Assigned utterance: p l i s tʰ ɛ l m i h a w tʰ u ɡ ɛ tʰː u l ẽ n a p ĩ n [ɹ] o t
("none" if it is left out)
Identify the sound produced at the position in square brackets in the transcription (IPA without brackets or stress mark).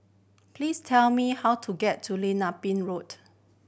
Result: ɹ